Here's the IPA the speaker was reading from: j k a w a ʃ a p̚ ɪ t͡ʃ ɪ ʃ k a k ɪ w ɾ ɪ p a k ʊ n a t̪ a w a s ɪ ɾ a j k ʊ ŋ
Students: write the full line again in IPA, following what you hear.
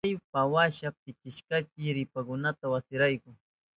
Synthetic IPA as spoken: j p a w a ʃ a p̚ ɪ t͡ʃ ɪ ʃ k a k ɪ ɾ ɪ p a k ʊ n a t̪ a w a s ɪ ɾ a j k ʊ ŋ